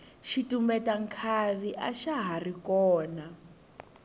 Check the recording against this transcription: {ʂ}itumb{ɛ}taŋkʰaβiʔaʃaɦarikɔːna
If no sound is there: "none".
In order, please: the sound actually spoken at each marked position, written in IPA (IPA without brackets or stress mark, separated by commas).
ʃ, ɛ